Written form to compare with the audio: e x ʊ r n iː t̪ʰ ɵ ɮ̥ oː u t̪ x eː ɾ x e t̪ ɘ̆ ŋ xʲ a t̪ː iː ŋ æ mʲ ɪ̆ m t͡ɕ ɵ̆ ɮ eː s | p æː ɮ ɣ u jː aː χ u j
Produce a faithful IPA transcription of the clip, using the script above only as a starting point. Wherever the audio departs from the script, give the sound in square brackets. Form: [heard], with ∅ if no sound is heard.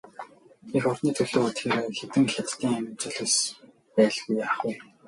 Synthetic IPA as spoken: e x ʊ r n iː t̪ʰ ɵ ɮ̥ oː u t̪ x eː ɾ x e t̪ ɘ̆ ŋ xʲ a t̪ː iː ŋ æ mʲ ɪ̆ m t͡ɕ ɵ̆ ɮ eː s | p æː ɮ ɣ u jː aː χ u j